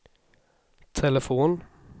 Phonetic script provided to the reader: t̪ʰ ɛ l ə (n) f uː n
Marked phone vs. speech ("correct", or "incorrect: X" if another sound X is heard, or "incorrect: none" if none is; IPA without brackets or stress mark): incorrect: none